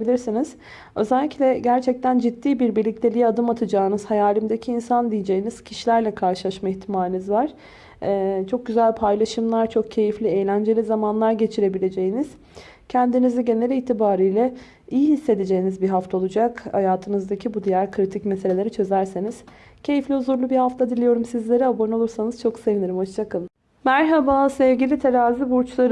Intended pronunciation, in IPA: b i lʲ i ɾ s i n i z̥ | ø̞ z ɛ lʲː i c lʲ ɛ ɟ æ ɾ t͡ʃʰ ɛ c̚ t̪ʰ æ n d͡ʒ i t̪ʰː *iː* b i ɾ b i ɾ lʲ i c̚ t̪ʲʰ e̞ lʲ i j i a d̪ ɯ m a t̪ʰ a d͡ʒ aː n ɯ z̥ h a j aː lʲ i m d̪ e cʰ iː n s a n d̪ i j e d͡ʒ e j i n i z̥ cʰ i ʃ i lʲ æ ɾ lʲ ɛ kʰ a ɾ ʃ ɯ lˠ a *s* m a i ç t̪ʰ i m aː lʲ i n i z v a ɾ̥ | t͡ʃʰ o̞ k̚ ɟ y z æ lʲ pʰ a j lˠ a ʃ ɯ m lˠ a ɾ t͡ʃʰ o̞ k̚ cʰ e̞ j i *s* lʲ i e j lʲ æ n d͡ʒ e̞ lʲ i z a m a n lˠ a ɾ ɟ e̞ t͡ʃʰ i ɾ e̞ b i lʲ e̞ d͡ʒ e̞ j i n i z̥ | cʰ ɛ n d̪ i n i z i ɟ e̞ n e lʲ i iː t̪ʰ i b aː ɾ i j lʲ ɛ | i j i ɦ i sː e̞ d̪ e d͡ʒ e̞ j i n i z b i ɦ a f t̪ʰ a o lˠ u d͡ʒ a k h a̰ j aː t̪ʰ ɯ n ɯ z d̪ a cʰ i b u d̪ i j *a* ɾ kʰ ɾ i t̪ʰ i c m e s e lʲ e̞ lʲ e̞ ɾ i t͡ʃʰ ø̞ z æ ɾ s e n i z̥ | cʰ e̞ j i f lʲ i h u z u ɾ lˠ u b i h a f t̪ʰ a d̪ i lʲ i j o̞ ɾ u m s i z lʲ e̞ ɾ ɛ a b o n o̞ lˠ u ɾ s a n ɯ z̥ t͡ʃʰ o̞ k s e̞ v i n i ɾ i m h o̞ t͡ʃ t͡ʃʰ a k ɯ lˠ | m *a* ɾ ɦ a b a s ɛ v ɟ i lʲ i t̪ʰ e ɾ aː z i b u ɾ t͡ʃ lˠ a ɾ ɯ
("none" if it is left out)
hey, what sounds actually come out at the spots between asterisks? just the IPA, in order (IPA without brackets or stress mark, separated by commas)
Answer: iː, ʃ, f, æ, æ